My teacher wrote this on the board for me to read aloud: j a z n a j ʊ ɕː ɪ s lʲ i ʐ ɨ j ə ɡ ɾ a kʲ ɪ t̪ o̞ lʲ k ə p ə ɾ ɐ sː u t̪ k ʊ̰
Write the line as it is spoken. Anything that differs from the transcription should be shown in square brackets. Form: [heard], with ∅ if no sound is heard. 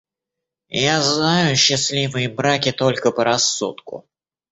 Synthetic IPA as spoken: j a z n a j ʊ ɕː ɪ s lʲ i [v] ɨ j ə [b] ɾ a kʲ ɪ t̪ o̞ lʲ k ə p ə ɾ ɐ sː u t̪ k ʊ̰